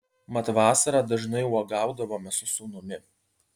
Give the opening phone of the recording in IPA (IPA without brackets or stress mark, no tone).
m